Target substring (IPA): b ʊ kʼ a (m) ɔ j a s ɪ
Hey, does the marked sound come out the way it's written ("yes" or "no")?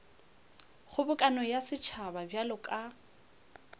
no